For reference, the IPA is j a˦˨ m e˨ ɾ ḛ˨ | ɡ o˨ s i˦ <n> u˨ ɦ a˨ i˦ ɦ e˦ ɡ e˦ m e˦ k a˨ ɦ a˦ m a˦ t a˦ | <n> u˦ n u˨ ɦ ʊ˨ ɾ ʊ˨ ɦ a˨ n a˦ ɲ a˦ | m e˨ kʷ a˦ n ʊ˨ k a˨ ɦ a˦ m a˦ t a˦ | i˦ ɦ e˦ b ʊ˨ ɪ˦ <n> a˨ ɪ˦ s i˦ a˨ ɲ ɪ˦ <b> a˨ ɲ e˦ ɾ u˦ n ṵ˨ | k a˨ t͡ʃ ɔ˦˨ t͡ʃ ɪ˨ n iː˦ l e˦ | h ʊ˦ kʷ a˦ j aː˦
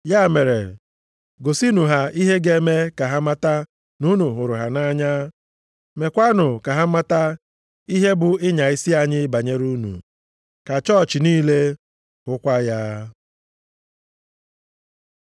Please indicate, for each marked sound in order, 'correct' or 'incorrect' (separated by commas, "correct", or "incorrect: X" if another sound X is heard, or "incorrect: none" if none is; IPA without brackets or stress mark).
correct, correct, incorrect: ɲ, correct